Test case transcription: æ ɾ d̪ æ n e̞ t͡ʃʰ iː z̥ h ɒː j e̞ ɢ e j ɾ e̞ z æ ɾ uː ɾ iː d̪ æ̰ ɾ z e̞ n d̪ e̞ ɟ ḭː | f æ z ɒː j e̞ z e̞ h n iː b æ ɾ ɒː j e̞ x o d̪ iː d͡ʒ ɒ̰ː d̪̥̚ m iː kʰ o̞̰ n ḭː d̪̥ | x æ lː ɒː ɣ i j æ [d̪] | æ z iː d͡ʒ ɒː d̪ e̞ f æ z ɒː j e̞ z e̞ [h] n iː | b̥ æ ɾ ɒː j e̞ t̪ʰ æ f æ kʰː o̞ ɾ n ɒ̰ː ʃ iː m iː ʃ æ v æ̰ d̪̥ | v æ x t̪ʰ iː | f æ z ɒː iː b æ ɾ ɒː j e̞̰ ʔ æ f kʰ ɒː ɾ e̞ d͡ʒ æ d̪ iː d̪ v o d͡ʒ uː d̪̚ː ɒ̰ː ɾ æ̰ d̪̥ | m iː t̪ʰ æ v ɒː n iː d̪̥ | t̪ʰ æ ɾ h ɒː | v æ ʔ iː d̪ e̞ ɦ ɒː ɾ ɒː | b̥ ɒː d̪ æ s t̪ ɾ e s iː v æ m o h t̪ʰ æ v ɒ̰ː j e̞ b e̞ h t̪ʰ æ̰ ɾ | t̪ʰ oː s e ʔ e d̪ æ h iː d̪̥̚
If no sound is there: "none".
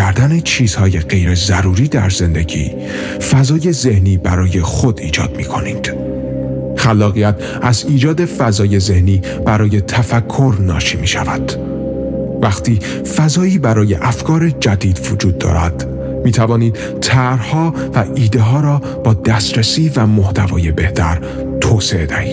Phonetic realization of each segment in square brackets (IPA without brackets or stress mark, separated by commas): t̪, h